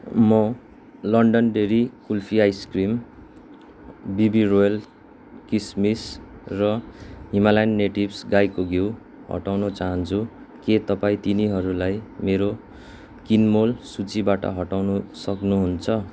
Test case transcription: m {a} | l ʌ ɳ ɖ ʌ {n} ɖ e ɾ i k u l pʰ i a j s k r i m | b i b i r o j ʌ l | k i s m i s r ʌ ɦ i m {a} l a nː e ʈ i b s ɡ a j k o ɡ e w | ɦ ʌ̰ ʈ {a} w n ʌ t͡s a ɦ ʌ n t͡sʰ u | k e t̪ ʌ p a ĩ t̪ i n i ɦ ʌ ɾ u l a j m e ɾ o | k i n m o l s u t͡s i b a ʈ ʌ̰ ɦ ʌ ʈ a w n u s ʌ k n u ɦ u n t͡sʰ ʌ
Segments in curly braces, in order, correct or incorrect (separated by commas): incorrect, correct, correct, correct